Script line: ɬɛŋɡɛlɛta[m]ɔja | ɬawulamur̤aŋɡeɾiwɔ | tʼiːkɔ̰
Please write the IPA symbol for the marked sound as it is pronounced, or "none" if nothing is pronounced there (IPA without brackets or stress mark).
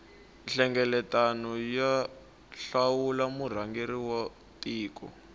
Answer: n